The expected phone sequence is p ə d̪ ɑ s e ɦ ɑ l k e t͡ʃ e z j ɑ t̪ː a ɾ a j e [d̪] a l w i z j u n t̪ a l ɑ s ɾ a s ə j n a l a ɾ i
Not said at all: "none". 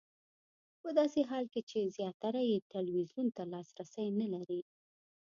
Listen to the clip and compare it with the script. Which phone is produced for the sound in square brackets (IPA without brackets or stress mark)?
t̪